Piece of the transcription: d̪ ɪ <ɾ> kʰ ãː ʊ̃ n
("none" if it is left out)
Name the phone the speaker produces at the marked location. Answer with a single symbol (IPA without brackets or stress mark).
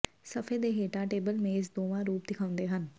none